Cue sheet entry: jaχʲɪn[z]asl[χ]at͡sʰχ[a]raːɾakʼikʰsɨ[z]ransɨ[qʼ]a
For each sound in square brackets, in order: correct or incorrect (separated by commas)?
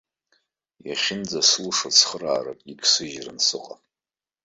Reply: incorrect, incorrect, incorrect, incorrect, correct